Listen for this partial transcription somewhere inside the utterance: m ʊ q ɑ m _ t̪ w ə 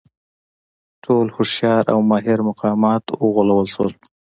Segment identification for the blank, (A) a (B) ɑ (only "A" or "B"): B